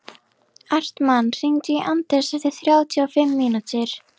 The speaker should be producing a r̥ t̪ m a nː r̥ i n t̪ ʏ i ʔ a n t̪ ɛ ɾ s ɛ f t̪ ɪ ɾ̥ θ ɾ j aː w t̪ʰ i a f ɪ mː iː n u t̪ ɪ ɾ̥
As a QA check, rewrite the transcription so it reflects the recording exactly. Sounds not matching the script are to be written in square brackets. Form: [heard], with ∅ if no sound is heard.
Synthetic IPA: a r̥ t̪ m a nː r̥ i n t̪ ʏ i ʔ a n t̪ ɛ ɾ s ɛ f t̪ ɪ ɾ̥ θ ɾ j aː w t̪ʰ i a f ɪ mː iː n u t̪ ɪ ɾ̥

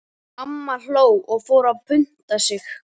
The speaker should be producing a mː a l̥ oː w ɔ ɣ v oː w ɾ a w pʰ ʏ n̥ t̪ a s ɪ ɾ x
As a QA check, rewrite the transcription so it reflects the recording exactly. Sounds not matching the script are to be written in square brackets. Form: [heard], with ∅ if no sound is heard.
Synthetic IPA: a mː a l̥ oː w ɔ ɣ [f] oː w ɾ a [v] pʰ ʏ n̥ t̪ a s ɪ [∅] x

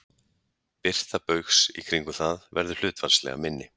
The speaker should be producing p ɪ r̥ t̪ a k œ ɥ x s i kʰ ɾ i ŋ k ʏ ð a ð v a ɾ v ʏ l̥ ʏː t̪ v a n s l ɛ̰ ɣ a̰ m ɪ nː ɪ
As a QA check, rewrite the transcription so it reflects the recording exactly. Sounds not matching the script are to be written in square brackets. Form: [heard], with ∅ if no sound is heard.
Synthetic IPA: p ɪ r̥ t̪ a [p] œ ɥ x s i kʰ ɾ i ŋ k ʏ [θ] a ð v [ɛ] ɾ [ð] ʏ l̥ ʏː t̪ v a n s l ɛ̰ ɣ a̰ m ɪ nː ɪ

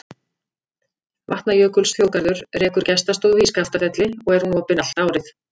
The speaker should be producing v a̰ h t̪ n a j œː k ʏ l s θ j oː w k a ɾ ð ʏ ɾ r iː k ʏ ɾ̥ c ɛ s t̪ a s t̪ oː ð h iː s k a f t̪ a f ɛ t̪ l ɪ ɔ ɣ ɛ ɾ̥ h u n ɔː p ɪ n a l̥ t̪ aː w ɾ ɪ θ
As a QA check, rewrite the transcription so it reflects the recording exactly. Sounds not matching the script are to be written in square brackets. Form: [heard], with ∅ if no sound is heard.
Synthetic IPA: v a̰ h t̪ n a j œː k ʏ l s θ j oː w k a ɾ ð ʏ ɾ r [ɛː] k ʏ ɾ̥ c ɛ s t̪ a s t̪ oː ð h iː s k a f t̪ a f ɛ t̪ l ɪ ɔ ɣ ɛ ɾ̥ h u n ɔː p ɪ n a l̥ t̪ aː w ɾ ɪ θ

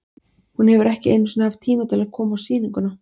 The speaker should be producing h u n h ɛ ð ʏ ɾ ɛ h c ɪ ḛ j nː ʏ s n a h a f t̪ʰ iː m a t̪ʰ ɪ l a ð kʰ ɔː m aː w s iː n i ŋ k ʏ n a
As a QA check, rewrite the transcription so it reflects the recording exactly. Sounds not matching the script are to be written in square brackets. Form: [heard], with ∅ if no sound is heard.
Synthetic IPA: h u n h ɛ [v] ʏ ɾ ɛ h c ɪ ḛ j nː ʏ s n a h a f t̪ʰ iː m a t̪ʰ ɪ l a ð kʰ ɔː m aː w s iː n i ŋ k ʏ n a

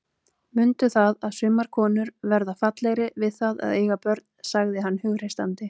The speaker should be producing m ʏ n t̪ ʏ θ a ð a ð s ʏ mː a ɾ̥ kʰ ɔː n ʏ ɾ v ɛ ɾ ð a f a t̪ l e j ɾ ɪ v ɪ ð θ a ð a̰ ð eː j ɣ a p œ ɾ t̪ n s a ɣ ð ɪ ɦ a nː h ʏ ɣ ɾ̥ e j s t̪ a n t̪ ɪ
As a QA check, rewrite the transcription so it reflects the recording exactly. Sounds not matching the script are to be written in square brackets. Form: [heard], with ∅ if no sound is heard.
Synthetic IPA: m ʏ n t̪ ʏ θ a ð a ð s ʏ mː a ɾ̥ kʰ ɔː n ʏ ɾ v ɛ ɾ ð a f a t̪ l e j ɾ ɪ v ɪ ð θ a ð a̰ ð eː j ɣ a p œ ɾ t̪ n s a ɣ ð ɪ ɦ a nː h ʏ ɣ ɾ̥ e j s t̪ a n t̪ ɪ

